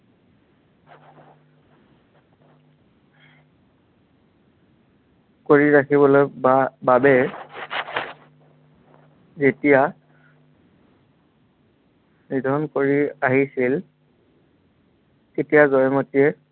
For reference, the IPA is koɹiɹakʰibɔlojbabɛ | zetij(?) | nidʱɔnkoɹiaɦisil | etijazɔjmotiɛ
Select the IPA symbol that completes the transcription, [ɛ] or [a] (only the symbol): a